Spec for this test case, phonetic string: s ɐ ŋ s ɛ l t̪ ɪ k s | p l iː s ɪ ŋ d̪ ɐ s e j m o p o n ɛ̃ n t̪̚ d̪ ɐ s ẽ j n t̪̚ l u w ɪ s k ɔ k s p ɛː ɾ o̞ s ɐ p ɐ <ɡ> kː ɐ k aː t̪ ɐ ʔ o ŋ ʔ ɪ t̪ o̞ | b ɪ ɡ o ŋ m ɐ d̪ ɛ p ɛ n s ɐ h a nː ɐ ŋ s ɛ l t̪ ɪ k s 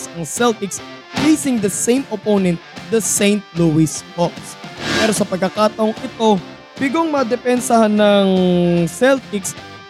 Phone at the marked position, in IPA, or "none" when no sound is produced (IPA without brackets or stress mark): ɡ